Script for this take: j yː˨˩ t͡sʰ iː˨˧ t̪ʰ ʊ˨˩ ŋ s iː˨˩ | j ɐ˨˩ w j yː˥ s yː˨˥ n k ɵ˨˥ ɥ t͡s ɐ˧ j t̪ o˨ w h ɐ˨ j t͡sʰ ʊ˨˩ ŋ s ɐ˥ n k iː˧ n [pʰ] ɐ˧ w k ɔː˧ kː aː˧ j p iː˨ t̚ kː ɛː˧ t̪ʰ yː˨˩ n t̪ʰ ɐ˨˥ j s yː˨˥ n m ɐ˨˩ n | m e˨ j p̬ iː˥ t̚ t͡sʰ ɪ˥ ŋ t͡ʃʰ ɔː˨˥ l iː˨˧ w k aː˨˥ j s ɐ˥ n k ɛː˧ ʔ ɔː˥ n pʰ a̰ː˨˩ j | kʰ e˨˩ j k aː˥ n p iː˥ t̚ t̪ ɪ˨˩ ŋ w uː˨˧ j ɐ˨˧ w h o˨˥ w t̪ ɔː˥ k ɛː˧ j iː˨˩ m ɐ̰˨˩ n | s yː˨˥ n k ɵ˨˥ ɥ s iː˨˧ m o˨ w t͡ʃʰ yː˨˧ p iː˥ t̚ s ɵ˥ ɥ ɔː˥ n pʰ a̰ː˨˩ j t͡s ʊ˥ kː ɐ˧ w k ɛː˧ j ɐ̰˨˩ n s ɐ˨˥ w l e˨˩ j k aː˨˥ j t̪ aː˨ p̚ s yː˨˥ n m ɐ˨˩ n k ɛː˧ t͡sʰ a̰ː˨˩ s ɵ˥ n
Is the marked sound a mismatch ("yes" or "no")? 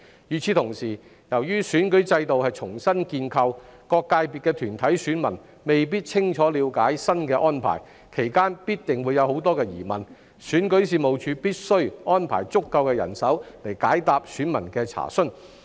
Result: yes